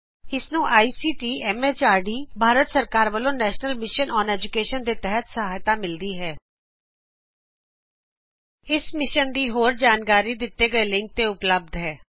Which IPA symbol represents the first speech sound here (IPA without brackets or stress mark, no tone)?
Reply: ɪ